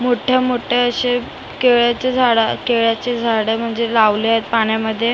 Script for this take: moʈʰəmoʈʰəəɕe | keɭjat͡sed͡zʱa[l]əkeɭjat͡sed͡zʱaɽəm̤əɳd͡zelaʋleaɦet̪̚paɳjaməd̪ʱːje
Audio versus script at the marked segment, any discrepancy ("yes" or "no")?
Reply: yes